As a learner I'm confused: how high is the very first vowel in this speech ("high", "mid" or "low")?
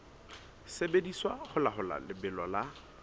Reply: mid